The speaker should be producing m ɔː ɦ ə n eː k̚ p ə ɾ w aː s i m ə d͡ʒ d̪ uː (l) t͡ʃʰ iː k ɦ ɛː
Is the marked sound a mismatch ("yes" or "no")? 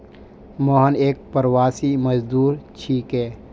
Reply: yes